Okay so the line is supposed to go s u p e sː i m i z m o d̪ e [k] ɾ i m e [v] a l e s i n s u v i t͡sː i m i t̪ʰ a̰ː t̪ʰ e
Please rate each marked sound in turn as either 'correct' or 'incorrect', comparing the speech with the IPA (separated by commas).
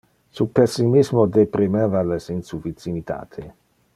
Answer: incorrect, correct